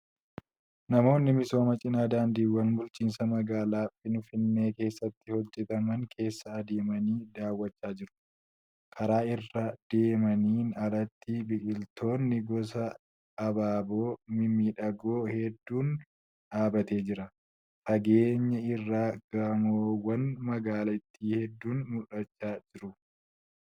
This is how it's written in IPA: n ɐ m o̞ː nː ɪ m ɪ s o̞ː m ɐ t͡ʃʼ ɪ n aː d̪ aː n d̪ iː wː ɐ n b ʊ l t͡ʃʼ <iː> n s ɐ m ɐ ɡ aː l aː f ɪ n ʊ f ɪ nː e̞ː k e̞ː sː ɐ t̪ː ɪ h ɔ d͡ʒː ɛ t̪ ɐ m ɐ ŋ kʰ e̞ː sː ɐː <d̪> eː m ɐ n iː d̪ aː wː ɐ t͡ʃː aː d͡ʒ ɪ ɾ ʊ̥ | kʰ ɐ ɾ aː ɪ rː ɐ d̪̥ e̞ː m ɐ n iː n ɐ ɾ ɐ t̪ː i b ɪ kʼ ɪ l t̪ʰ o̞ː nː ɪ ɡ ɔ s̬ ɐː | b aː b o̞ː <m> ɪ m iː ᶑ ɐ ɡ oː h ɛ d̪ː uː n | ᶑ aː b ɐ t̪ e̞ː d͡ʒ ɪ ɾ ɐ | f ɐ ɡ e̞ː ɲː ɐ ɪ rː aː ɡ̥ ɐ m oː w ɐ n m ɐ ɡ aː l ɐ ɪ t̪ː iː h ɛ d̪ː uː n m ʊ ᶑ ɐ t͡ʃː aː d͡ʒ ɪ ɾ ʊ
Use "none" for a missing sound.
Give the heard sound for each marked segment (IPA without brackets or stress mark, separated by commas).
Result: iː, d̪, m